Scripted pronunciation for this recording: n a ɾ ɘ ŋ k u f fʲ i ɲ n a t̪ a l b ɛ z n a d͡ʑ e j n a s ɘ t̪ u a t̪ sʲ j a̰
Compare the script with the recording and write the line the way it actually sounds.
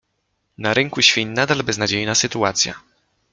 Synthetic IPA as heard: n a ɾ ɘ ŋ k u ɕ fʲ i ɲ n a d̪ a l b ɛ z n a d͡ʑ e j n a s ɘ t̪ u a t̪ sʲ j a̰